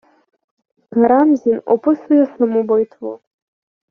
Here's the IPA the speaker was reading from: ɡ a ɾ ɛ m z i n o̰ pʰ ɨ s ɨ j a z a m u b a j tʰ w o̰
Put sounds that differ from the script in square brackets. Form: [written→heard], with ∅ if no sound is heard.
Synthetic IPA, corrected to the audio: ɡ a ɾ [ɛ→a] m z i n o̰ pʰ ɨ s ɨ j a [z→s] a m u b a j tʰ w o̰